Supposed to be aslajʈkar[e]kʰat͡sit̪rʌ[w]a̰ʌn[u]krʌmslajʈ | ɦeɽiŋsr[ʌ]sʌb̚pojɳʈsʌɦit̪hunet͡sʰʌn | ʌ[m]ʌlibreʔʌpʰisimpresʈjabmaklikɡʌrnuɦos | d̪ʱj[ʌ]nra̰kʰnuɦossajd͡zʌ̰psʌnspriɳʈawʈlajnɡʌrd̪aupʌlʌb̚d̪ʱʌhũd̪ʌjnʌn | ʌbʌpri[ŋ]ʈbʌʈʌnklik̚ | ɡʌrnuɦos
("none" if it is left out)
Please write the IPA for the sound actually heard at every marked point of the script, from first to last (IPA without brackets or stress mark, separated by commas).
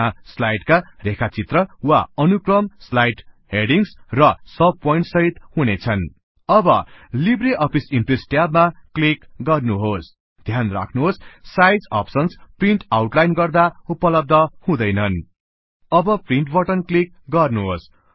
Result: e, w, u, ʌ, b, a, ɳ